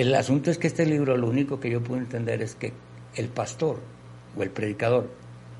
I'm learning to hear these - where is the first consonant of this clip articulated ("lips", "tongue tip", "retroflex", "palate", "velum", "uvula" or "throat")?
tongue tip